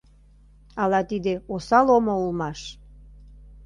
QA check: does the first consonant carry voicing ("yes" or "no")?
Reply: yes